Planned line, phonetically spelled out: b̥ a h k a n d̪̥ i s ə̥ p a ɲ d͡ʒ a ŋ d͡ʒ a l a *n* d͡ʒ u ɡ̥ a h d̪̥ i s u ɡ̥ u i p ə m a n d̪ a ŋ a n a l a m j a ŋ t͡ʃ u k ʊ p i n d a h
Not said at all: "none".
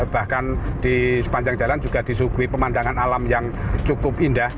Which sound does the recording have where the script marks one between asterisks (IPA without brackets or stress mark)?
n